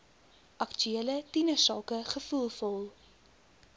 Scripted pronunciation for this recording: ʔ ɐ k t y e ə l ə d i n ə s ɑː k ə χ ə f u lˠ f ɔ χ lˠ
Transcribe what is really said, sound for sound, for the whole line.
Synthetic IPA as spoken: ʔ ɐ k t y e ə l ə t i n ə s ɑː k ə χ ə f u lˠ f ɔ lˠ